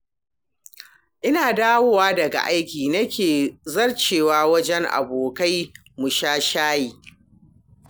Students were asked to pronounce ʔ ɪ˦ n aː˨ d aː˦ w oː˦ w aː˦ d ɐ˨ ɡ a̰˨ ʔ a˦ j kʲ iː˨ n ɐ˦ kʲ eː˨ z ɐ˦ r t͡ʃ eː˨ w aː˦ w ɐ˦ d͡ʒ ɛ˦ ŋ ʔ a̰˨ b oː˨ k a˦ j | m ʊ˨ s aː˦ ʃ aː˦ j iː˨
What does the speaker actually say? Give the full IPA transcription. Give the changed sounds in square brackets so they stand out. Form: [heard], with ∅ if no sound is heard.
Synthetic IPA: ʔ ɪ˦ n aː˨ d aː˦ w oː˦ w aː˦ d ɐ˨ ɡ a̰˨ ʔ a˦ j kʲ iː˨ n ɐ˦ kʲ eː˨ z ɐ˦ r t͡ʃ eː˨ w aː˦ w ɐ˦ d͡ʒ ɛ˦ ŋ ʔ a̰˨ b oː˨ k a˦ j | m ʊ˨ [ʃ] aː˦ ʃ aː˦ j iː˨